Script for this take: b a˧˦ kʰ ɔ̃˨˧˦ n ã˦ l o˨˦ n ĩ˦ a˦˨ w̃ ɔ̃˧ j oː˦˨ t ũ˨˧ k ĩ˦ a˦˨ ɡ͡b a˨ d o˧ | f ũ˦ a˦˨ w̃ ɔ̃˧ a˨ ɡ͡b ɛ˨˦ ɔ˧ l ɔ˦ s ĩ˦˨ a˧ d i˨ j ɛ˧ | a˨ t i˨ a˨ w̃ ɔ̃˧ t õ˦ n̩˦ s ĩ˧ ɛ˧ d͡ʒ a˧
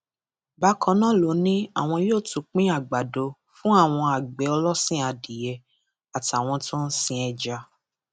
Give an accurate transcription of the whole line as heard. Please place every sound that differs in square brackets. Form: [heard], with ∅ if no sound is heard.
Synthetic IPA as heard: b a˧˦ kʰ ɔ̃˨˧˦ n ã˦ l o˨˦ n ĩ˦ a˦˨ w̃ ɔ̃˧ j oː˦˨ t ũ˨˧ [k͡p] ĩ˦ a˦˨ ɡ͡b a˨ d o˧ | f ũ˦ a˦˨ w̃ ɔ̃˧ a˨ ɡ͡b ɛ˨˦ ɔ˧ l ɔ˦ s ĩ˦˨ a˧ d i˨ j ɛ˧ | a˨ t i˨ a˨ w̃ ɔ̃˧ t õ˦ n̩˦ s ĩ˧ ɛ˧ d͡ʒ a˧